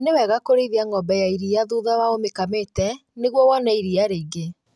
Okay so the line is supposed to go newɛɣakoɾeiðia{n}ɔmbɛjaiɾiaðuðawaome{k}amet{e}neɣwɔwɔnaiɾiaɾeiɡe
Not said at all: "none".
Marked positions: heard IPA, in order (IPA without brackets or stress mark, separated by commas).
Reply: ŋ, k, ɛ